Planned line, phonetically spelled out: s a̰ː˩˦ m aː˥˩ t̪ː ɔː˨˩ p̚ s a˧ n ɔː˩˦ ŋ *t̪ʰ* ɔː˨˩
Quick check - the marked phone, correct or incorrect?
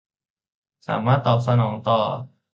incorrect